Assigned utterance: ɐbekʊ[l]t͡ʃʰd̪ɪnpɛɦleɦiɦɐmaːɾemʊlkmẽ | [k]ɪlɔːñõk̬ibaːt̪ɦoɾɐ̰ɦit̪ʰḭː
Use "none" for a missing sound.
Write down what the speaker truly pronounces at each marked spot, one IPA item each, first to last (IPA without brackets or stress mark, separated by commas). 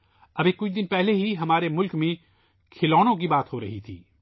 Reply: none, kʰ